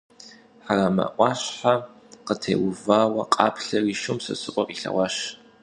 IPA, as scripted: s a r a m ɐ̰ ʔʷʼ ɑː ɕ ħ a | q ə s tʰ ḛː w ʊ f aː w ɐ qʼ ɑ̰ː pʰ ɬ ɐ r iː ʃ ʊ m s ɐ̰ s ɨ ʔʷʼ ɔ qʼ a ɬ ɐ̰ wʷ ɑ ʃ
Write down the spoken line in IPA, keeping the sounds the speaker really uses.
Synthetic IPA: ħ a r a m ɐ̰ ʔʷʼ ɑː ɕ ħ a | q ə tʰ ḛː w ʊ v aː w ɐ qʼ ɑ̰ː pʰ ɬ ɐ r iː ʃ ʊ m s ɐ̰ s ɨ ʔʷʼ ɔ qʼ i ɬ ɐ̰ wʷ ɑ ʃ